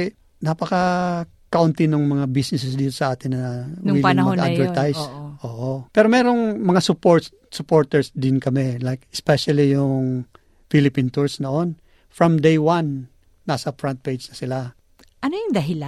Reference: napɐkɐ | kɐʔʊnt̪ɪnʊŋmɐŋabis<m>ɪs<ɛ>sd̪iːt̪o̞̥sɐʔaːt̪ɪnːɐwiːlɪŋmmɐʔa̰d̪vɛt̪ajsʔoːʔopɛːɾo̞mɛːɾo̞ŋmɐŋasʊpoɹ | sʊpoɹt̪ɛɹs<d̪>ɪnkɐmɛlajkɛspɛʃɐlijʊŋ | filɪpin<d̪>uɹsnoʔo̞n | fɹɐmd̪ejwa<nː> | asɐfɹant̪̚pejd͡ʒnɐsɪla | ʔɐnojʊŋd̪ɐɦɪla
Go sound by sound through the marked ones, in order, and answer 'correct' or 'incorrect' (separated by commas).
incorrect, correct, correct, incorrect, correct